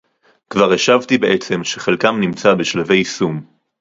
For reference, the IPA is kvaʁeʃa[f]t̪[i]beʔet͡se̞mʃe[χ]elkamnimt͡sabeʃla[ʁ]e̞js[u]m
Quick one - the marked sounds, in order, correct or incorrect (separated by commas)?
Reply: incorrect, correct, correct, incorrect, correct